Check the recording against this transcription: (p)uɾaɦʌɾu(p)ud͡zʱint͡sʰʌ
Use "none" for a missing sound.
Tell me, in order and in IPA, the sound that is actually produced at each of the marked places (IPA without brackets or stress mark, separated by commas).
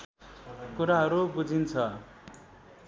k, b